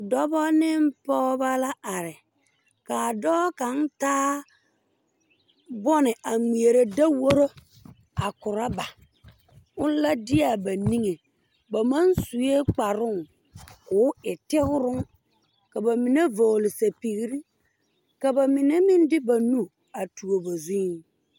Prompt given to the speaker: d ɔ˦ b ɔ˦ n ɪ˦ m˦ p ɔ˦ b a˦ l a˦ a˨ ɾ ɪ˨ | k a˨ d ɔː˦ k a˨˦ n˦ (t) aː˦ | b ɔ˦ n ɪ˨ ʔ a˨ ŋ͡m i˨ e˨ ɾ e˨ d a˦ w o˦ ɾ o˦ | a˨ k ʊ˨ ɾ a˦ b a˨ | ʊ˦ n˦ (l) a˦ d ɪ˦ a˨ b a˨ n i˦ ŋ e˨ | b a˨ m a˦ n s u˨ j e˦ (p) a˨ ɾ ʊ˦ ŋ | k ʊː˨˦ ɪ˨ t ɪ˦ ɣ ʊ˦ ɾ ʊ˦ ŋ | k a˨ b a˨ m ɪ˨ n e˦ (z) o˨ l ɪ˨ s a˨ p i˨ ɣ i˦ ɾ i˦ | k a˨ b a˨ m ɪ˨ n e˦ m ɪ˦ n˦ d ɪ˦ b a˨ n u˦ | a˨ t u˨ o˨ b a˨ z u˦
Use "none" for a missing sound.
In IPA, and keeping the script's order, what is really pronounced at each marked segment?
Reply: t, l, k͡p, v

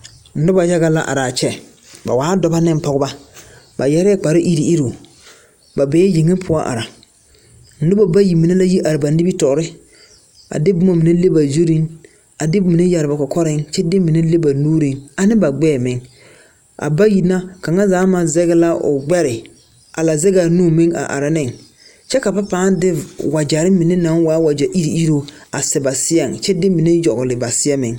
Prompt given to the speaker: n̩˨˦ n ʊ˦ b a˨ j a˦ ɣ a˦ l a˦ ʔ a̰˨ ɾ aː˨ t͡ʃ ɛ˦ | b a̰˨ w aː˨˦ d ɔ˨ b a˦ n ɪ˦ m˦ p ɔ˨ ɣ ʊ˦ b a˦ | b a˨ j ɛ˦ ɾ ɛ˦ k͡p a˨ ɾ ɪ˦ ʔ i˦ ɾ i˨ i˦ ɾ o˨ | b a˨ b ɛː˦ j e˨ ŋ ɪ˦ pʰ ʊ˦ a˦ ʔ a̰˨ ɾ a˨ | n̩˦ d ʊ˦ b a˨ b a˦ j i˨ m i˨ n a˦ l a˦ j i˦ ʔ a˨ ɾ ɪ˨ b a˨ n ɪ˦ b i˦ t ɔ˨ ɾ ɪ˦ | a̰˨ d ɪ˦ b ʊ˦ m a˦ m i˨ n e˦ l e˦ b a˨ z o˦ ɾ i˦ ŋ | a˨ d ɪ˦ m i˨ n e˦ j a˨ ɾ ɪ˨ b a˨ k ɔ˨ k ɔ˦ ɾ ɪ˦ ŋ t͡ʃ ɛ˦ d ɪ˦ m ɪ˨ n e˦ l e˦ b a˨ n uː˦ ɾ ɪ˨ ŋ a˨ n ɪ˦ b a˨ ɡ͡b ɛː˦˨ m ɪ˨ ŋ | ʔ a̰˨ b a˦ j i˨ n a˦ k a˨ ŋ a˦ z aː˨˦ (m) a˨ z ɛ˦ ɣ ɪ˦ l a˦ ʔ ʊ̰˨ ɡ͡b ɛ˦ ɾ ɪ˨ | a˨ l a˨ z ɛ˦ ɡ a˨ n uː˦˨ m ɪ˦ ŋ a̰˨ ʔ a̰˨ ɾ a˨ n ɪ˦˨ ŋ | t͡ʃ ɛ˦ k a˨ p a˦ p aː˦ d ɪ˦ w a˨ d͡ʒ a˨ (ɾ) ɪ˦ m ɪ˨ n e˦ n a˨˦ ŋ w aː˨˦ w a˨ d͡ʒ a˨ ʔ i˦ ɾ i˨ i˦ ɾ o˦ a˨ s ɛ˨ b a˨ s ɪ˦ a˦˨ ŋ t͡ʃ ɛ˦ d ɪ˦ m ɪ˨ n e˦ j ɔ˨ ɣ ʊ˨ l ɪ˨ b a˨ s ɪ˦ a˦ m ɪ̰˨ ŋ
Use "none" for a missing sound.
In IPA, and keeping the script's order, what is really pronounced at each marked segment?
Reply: m, ɾ

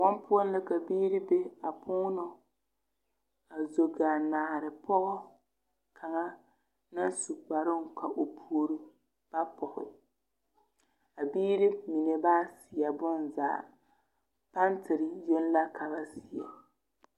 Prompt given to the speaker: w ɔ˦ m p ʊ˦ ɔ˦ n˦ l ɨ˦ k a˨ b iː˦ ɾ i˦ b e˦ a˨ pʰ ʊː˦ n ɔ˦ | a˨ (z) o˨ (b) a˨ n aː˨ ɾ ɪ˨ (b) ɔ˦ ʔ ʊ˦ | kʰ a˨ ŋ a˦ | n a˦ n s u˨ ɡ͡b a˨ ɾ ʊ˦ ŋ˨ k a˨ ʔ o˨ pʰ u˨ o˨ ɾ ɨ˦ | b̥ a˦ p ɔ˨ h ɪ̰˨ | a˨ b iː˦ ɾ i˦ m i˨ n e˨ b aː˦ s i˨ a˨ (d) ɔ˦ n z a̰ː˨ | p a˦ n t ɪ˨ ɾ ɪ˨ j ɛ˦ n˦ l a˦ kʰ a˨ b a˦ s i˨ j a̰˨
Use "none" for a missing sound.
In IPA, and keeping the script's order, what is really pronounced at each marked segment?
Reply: z, ɡ, p, b

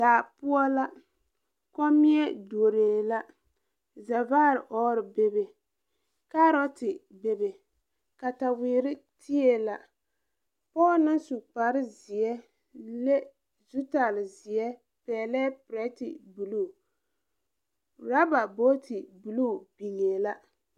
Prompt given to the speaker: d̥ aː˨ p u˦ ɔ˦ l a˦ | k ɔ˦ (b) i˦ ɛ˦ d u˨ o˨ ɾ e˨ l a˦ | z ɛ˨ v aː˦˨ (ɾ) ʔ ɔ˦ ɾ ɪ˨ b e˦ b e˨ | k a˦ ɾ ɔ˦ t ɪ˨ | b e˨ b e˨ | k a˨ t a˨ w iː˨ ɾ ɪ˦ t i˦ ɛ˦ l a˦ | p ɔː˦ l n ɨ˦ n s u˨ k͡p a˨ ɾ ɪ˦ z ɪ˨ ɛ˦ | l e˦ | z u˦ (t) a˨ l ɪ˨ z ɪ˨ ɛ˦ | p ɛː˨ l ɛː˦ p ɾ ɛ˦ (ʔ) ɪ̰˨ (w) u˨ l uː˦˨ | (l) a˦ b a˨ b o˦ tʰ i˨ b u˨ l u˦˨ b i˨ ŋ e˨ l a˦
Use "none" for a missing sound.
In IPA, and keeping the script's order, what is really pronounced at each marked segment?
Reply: m, ɾ, t, t, b, ɾ

